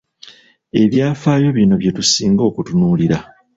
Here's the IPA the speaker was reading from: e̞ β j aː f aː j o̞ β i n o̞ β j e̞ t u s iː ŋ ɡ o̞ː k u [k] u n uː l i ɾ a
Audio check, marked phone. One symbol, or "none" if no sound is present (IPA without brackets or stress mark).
t